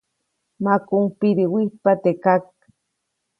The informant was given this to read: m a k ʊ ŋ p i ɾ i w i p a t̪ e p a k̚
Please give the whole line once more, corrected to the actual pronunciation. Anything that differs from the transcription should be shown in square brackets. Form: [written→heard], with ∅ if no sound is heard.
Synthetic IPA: m a k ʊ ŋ p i ɾ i w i p a t̪ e [p→k] a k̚